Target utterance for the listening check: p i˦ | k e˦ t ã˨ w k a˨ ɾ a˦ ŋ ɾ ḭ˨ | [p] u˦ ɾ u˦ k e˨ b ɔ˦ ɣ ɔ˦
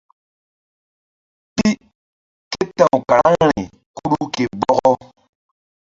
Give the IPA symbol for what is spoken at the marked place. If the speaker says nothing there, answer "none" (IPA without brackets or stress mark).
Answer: k